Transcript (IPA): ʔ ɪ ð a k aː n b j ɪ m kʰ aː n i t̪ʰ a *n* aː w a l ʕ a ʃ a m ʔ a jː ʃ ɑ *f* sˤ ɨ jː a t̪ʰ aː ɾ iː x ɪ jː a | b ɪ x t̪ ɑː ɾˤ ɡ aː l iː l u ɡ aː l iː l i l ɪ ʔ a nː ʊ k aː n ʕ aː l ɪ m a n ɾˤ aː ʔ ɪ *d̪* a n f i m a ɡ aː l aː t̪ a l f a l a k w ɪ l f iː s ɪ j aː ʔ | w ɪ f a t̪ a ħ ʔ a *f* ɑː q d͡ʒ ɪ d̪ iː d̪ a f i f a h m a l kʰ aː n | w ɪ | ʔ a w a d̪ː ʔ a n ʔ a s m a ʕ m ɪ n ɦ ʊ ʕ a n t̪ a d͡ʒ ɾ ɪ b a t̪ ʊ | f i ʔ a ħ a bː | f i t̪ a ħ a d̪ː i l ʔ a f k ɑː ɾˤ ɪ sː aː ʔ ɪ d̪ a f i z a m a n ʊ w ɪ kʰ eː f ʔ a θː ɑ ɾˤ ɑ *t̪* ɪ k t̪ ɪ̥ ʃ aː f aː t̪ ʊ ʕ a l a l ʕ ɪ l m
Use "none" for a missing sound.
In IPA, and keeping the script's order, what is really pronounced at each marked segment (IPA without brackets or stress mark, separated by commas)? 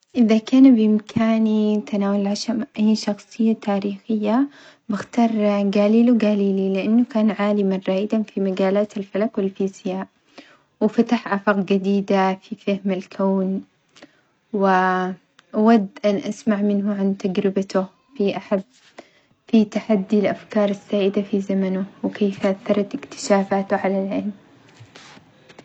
n, x, d̪, f, t̪